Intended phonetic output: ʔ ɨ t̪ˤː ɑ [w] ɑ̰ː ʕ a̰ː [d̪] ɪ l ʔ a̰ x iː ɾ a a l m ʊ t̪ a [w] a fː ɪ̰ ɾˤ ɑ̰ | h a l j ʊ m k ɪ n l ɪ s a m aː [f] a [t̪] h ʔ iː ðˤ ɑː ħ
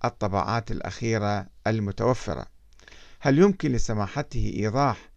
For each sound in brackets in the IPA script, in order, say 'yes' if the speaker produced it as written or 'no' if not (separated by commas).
no, no, yes, no, yes